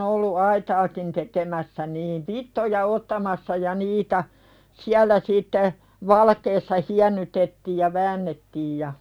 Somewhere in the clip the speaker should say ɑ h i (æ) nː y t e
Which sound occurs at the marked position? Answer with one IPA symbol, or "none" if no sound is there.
æ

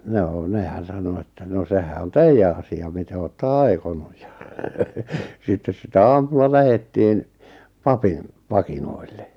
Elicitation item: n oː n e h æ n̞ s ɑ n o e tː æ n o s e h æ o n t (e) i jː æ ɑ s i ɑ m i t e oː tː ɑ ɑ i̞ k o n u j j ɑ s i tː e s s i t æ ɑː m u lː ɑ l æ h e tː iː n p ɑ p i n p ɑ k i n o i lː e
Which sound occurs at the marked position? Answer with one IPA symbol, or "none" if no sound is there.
e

